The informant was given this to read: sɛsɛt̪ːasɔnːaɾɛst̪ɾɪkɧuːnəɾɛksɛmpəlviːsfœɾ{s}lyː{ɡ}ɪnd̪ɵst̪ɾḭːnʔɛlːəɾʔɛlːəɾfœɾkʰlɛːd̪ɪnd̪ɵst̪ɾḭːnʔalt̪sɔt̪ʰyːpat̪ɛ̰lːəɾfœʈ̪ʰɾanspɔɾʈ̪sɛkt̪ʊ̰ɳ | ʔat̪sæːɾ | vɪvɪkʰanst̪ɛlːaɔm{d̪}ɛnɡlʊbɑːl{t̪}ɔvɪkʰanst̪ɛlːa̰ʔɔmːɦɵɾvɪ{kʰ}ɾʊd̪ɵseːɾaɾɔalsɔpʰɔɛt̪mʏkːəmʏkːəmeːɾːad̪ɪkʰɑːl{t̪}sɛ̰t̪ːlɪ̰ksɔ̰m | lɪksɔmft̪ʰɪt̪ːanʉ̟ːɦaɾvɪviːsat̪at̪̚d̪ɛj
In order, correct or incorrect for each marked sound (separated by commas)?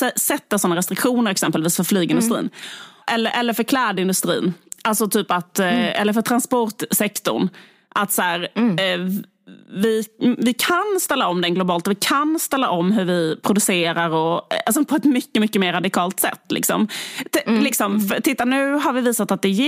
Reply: incorrect, correct, correct, correct, incorrect, correct